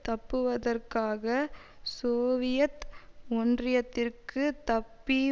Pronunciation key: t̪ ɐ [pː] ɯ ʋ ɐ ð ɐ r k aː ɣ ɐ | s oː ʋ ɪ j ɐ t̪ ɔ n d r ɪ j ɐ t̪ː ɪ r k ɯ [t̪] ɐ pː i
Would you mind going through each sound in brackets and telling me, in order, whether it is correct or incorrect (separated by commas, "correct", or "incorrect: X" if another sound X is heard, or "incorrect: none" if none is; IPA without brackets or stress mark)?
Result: correct, correct